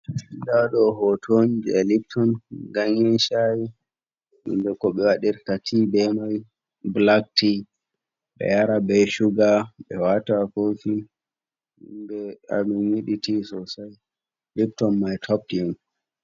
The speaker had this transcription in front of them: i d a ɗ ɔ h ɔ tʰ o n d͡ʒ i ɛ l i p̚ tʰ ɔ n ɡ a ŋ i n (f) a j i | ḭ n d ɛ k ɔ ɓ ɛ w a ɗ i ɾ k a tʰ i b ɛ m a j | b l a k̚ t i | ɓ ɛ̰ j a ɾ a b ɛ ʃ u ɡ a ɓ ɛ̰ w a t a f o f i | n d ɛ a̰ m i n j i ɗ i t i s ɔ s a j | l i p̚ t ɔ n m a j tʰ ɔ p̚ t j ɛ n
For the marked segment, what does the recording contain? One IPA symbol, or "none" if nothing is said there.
ʃ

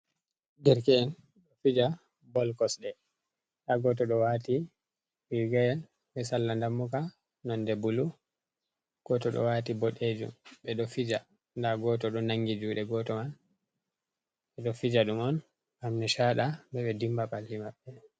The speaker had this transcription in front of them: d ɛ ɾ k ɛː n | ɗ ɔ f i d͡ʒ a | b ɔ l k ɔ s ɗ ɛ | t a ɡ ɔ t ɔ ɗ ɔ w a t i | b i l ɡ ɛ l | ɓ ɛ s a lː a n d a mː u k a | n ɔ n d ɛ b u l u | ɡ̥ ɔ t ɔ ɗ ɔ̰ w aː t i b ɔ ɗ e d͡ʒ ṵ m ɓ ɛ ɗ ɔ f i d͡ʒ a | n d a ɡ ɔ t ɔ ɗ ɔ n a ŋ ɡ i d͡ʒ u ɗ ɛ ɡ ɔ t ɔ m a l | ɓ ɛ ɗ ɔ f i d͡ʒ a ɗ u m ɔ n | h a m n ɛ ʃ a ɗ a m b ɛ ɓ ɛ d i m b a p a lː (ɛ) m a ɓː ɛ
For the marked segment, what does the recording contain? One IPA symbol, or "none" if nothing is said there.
i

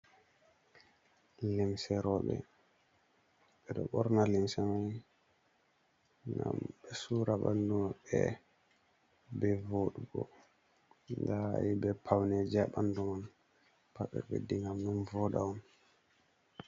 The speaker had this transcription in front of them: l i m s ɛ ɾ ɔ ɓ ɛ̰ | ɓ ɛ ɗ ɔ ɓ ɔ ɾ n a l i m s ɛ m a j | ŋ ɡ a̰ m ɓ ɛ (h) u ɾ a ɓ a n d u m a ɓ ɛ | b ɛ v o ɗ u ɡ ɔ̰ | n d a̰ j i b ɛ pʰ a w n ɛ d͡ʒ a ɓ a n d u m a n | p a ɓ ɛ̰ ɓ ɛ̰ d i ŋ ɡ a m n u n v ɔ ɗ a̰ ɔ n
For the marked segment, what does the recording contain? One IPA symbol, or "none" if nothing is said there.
s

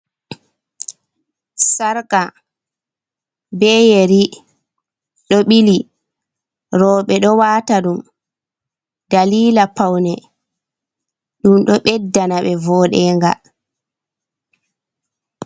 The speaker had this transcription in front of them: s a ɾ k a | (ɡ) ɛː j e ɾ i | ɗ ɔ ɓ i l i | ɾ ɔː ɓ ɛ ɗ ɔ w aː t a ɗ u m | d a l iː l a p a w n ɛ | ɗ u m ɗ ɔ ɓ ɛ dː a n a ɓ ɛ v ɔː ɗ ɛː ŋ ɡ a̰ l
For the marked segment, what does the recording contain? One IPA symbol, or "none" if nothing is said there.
b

